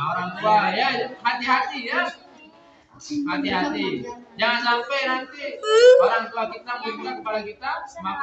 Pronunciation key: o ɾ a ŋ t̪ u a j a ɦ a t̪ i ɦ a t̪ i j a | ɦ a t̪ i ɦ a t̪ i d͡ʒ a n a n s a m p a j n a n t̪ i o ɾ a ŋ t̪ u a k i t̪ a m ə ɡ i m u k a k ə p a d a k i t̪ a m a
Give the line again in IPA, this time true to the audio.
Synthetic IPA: o ɾ a ŋ t̪ u a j a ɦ a t̪ i ɦ a t̪ i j a | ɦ a t̪ i ɦ a t̪ i d͡ʒ a ŋ a n s a m p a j n a n t̪ i o ɾ a ŋ t̪ u a k i t̪ a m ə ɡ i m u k a k ə p a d a k i t̪ a m a